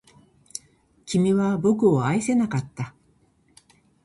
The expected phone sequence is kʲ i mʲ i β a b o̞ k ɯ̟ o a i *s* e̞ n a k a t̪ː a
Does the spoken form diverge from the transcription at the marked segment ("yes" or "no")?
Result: no